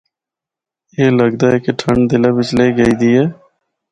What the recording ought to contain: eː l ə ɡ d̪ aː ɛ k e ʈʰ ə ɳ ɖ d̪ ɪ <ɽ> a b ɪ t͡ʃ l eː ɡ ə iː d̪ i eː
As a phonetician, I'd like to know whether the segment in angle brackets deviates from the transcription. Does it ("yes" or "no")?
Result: yes